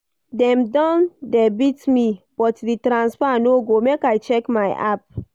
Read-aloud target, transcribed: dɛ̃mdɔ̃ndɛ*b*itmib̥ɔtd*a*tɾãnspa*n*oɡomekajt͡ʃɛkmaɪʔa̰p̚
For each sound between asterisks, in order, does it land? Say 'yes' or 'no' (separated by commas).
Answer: yes, no, yes